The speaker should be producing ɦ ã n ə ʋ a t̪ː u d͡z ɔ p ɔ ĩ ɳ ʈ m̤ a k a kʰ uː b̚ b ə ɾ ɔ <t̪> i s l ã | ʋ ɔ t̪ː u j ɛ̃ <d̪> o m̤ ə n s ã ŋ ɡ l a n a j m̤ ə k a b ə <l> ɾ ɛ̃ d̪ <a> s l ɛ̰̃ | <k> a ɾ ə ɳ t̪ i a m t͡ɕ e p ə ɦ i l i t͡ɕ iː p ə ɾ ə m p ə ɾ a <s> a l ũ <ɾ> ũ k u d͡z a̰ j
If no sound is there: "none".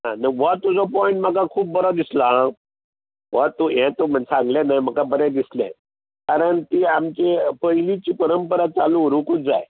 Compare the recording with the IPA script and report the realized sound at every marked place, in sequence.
d̪, t̪, none, i, k, t͡s, ɾ

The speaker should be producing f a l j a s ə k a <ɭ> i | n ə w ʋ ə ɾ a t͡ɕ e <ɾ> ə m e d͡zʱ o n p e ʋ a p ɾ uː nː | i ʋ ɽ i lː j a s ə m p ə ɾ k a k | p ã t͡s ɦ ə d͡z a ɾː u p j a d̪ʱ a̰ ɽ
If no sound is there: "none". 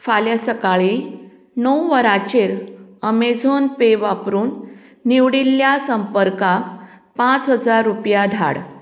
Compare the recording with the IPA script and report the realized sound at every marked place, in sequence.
ɭ, ɾ

